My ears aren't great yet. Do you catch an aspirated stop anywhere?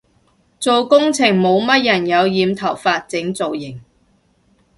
yes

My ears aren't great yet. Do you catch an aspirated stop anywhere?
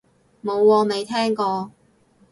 yes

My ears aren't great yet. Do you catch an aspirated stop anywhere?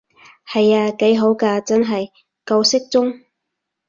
no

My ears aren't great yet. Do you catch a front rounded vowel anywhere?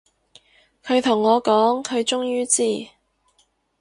yes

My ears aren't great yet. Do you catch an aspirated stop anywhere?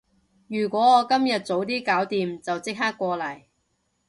no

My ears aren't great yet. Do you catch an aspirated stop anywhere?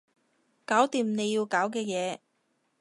no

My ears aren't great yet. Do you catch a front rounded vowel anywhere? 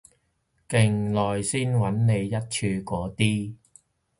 yes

